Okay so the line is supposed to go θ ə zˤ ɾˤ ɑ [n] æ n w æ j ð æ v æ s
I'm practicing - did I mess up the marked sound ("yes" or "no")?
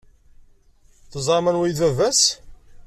yes